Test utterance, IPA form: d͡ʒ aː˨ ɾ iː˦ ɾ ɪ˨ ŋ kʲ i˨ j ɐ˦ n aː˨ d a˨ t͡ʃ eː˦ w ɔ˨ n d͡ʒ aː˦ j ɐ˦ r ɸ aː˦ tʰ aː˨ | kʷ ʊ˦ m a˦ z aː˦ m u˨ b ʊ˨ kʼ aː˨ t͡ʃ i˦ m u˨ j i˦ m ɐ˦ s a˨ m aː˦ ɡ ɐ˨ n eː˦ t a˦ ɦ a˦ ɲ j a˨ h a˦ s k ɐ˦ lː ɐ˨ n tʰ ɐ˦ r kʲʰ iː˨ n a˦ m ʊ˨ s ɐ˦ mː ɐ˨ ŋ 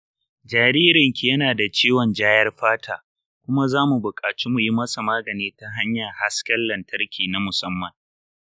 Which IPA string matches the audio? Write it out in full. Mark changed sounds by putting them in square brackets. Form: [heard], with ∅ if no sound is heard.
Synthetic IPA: d͡ʒ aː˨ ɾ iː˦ ɾ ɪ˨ ŋ kʲ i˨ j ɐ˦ n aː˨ d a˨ t͡ʃ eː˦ w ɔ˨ n d͡ʒ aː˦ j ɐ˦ r ɸ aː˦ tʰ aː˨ | kʷ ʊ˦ m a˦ z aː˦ m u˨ b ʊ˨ kʼ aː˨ t͡ʃ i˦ m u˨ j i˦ m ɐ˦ s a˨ m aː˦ ɡ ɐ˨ n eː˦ t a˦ ɦ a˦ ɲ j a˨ h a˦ s k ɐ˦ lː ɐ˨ n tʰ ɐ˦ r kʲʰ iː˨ n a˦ m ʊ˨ s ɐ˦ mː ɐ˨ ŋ